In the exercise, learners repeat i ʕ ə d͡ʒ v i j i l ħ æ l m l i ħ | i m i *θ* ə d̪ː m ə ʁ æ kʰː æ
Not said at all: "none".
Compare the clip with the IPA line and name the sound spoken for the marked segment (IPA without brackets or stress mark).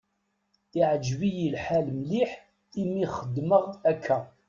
χ